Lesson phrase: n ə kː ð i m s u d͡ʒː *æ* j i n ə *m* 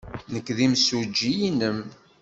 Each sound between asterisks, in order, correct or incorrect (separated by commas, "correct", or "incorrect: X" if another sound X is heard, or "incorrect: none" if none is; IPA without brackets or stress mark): incorrect: i, correct